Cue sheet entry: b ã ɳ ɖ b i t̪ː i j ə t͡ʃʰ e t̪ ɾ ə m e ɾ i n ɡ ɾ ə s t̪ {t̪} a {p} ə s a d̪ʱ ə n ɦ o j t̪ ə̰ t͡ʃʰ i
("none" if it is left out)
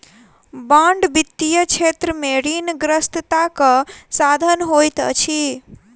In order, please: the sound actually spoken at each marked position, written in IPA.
t̪, k

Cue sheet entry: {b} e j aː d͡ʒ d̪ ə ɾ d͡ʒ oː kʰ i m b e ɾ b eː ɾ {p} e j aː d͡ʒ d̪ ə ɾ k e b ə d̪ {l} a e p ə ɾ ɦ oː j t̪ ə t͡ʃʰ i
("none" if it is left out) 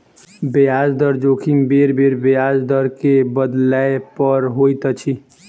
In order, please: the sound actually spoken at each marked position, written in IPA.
b, b, l

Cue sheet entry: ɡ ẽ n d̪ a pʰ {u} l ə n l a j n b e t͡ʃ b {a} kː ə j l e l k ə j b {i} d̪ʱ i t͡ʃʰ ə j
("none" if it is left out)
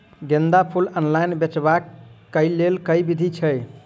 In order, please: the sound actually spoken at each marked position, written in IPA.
u, a, i

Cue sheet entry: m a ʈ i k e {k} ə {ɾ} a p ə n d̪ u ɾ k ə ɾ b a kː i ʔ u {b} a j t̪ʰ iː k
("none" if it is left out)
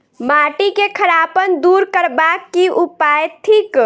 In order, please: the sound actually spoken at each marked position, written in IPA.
kʰ, ɾ, p

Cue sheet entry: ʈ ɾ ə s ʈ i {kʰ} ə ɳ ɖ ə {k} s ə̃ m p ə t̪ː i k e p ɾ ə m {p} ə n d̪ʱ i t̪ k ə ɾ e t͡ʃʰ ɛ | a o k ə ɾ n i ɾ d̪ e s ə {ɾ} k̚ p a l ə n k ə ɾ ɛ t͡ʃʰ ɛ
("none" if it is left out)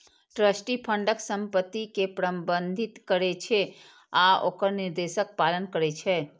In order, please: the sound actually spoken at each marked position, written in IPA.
pʰ, k, b, none

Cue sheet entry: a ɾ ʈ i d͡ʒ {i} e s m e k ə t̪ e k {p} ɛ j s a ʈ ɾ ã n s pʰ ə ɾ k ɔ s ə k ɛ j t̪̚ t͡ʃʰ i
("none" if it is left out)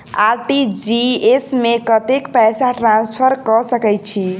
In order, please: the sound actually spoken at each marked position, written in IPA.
i, p

